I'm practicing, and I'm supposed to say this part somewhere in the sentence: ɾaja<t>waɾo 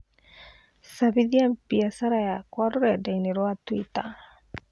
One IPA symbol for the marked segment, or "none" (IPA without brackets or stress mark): k